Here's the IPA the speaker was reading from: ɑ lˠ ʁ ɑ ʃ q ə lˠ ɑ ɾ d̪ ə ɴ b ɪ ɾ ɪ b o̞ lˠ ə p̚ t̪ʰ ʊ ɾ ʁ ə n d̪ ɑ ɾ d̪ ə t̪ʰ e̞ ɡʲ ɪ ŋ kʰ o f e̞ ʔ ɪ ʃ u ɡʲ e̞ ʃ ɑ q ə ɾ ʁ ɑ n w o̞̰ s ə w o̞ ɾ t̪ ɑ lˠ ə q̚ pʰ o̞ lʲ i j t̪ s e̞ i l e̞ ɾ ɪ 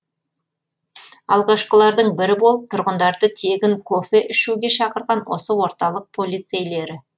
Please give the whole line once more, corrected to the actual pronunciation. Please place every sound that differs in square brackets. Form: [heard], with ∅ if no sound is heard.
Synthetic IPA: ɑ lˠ ʁ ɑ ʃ q ə lˠ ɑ ɾ d̪ ə ɴ b ɪ ɾ ɪ b o̞ lˠ ə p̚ t̪ʰ ʊ ɾ ʁ ə n d̪ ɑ ɾ d̪ ə t̪ʰ e̞ ɡʲ ɪ ŋ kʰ o f e̞ ʔ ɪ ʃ u ɡʲ e̞ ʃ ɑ q ə ɾ ʁ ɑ n w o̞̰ s ə w o̞ ɾ t̪ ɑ lˠ ə q̚ pʰ o̞ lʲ i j t̪ s e̞ [j] l e̞ ɾ ɪ